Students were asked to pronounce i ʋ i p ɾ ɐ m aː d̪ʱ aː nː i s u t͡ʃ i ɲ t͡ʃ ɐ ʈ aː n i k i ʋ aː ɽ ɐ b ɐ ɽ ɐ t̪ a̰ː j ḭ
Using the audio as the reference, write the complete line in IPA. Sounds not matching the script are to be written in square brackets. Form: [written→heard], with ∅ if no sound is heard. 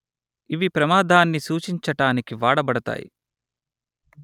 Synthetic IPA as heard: i ʋ i p ɾ ɐ m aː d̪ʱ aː nː i s [u→uː] t͡ʃ i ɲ t͡ʃ ɐ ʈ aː n i k i ʋ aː ɽ ɐ b ɐ ɽ ɐ t̪ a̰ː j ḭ